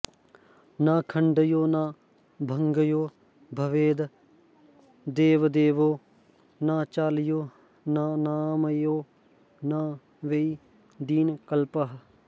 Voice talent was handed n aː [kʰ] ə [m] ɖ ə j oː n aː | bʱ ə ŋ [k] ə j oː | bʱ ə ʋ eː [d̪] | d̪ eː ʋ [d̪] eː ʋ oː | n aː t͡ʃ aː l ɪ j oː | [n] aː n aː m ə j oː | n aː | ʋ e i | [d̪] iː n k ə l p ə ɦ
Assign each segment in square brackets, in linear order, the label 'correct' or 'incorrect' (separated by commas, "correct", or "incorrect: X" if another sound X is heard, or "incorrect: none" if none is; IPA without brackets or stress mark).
correct, incorrect: ɳ, incorrect: ɡ, correct, correct, correct, correct